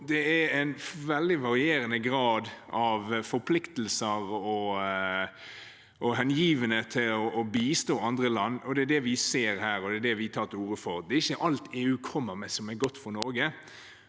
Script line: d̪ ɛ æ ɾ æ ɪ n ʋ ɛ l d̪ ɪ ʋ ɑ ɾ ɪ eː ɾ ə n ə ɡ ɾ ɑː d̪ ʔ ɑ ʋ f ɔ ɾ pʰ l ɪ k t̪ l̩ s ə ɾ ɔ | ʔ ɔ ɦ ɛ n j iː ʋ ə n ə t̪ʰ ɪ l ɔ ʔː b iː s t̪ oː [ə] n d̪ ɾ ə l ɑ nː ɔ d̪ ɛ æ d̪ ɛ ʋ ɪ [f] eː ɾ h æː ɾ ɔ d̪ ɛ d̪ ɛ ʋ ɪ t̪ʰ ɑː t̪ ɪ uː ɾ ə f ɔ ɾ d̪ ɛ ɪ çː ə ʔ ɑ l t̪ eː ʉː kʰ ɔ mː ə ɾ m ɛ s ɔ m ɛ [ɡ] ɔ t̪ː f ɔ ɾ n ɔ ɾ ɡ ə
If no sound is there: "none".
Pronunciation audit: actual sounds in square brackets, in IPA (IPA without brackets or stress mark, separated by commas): ɑ, s, ɡ